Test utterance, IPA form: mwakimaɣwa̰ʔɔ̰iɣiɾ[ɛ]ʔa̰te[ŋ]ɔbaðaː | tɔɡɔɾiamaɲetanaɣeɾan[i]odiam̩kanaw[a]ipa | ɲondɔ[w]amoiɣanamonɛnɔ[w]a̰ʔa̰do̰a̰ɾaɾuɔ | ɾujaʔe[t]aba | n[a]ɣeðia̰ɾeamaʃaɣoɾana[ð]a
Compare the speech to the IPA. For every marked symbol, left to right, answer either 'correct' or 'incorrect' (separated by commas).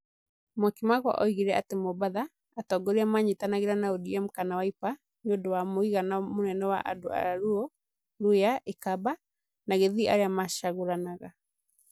correct, incorrect, incorrect, correct, correct, correct, incorrect, correct, incorrect